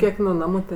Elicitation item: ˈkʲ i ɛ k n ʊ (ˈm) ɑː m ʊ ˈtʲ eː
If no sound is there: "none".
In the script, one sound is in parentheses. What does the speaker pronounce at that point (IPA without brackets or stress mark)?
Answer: n